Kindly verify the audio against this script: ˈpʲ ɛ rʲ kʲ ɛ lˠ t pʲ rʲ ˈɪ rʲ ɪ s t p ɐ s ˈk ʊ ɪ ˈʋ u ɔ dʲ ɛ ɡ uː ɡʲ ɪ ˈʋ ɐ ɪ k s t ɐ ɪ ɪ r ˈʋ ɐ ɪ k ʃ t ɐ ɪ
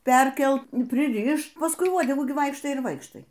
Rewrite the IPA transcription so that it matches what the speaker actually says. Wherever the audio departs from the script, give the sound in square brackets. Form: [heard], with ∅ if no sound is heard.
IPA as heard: ˈpʲ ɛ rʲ kʲ ɛ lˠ t pʲ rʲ ˈɪ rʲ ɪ [ʃ] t p ɐ s ˈk ʊ ɪ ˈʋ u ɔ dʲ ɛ ɡ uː ɡʲ ɪ ˈʋ ɐ ɪ k [ʃ] t ɐ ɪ ɪ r ˈʋ ɐ ɪ k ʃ t ɐ ɪ